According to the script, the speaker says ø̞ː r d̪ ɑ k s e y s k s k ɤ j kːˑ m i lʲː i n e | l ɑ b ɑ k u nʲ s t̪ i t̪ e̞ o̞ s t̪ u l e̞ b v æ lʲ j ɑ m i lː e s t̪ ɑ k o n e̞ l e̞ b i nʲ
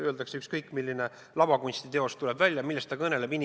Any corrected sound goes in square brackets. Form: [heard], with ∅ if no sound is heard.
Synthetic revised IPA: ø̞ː [l] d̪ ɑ k s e y [∅] k s k ɤ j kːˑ m i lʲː i n e | l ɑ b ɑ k u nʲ s t̪ i t̪ e̞ o̞ s t̪ u l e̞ b v æ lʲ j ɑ m i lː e s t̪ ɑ k [ɤ] n e̞ l e̞ b i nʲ